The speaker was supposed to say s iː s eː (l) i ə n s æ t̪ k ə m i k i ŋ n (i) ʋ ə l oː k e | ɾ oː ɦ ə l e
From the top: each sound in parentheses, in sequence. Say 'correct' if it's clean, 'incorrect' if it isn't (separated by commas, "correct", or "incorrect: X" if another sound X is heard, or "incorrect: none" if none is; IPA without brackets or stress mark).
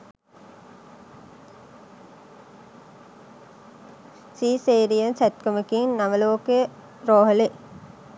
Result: incorrect: ɾ, incorrect: a